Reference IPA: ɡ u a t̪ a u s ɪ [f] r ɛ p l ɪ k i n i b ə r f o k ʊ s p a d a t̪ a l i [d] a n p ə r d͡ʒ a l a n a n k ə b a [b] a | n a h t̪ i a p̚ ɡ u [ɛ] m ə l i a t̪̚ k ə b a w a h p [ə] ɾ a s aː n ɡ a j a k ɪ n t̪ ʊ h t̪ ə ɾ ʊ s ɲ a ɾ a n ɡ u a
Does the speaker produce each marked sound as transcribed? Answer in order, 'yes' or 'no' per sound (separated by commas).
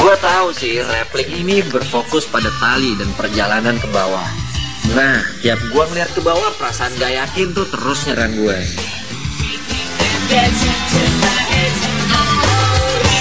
no, yes, no, no, yes